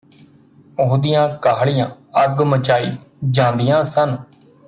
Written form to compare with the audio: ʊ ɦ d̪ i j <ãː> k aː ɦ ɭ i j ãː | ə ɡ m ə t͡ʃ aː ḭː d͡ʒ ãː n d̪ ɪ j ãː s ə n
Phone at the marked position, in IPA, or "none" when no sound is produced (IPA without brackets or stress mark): ãː